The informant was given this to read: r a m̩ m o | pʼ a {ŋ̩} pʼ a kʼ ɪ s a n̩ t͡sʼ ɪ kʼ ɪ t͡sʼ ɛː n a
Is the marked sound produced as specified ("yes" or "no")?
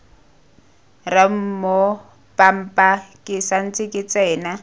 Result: no